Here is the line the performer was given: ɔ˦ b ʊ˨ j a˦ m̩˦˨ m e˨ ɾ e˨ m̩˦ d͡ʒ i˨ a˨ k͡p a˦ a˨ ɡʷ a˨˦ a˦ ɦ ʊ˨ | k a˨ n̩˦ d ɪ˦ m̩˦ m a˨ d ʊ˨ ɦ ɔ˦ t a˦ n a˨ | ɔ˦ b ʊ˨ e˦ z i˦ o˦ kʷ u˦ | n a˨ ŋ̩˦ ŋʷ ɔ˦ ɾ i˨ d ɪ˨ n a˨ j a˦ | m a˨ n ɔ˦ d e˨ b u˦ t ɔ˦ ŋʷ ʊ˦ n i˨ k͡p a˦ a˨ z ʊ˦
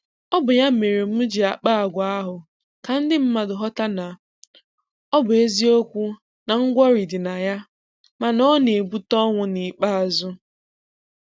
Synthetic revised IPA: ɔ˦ b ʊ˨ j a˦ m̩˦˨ m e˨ ɾ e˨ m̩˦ d͡ʒ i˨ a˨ k͡p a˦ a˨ ɡʷ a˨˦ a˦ ɦ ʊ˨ | k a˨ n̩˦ d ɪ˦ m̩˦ m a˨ d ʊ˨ ɦ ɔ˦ t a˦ n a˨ | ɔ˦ b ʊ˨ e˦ z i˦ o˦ kʷ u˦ | n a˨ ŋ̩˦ ɡʷ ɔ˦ ɾ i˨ d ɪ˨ n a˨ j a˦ | m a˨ n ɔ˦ n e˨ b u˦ t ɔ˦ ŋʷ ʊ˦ n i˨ k͡p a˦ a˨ z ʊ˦